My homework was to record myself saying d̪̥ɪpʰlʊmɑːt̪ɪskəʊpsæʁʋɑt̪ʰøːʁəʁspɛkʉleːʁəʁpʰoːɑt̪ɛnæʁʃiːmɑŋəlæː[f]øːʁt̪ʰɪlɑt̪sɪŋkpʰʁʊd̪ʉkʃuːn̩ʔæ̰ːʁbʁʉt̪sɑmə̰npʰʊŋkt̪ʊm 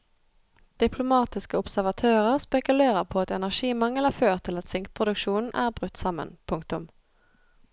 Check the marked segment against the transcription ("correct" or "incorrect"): correct